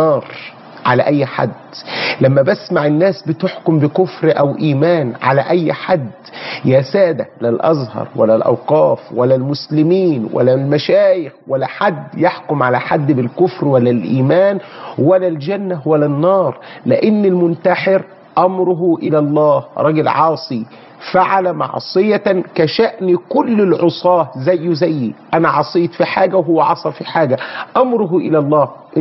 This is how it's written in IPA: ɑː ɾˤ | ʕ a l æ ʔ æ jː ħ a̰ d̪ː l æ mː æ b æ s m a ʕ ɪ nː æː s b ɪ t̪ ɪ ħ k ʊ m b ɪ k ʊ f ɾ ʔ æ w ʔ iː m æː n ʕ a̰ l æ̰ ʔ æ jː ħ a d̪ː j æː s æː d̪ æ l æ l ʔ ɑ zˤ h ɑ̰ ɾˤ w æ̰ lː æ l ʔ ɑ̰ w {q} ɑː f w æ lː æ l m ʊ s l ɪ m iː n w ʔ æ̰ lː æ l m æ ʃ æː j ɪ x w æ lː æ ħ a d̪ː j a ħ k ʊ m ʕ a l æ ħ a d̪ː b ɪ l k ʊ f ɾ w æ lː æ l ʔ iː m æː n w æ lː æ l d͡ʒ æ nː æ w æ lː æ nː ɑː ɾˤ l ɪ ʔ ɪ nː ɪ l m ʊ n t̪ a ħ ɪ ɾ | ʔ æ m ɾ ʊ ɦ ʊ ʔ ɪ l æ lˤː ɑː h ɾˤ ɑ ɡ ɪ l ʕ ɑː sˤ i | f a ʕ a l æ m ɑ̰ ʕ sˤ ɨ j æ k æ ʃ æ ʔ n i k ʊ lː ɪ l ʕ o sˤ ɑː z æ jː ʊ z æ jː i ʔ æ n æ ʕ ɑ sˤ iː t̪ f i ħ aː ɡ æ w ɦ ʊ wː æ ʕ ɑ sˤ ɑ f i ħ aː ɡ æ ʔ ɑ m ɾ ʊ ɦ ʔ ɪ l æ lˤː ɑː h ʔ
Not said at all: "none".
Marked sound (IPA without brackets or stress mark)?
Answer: q